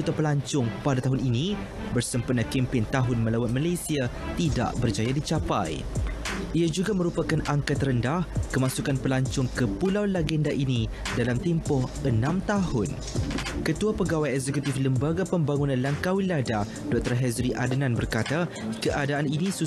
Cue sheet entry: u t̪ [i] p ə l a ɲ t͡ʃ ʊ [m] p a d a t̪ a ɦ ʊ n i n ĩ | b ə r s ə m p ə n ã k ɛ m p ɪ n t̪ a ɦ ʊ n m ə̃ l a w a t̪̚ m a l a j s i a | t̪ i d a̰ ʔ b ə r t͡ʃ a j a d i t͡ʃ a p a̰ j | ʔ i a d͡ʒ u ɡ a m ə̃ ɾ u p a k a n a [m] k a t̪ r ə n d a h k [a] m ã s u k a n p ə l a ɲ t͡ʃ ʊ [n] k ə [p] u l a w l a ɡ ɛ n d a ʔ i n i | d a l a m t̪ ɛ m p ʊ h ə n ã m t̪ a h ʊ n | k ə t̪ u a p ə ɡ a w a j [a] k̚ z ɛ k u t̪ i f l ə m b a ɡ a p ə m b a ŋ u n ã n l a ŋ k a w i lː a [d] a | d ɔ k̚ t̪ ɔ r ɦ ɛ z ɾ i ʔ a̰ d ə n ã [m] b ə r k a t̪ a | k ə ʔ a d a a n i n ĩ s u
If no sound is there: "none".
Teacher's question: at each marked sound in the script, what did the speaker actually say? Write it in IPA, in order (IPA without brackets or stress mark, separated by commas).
a, ŋ, ŋ, ə, ŋ, p, ɛ, d, n